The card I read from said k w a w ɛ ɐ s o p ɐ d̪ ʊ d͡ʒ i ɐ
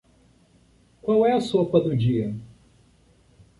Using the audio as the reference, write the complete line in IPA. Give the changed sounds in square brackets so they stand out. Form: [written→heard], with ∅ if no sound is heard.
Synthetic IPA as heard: k w a w ɛ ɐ s o p ɐ d̪ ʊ d͡ʒ i ɐ